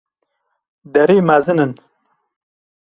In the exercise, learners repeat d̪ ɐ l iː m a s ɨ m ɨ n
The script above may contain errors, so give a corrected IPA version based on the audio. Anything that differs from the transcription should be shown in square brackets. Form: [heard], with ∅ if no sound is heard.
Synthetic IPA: d̪ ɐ [ɾ] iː m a [z] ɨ [n] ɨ n